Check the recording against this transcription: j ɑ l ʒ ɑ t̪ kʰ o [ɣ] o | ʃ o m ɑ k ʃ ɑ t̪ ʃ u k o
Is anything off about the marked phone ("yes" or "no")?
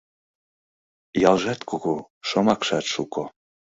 no